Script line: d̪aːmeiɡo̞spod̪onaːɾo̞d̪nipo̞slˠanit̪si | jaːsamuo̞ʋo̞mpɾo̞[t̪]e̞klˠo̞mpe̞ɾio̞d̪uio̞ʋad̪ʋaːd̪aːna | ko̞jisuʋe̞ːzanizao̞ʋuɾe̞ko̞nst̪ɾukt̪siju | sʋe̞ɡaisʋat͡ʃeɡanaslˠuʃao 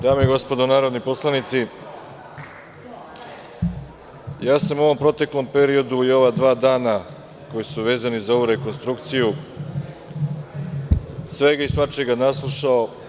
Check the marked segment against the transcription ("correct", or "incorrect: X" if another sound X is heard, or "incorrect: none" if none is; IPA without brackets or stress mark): correct